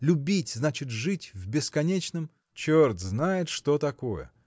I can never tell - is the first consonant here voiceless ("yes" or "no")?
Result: no